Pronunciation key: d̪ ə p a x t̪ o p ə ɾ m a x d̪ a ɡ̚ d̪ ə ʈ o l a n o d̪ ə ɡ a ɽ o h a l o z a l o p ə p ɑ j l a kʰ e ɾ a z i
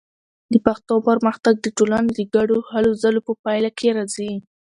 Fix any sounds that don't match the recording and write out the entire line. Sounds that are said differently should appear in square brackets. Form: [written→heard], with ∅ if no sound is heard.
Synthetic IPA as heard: d̪ ə p a x t̪ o p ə ɾ m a x [d̪→t̪] a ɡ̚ d̪ ə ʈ o l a n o d̪ ə ɡ a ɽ o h a l o z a l o p ə p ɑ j l a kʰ e ɾ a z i